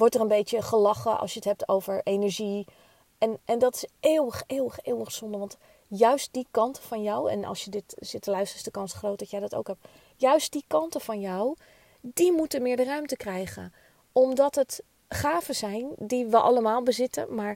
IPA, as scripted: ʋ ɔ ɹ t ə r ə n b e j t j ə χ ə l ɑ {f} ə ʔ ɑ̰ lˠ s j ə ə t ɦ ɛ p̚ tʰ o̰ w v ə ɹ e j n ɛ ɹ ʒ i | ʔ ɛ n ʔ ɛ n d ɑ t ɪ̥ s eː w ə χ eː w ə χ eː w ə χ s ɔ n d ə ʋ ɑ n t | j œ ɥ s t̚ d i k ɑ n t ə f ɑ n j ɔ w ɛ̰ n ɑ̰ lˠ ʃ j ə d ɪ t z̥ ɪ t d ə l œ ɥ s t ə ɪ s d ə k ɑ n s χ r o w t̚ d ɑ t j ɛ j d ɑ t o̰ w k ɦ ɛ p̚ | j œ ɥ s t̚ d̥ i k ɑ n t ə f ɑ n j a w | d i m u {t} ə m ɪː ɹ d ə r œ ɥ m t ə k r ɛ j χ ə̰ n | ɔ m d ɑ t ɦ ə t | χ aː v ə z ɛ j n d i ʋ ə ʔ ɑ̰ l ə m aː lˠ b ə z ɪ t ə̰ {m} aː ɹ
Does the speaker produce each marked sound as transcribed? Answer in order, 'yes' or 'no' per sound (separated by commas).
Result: no, yes, yes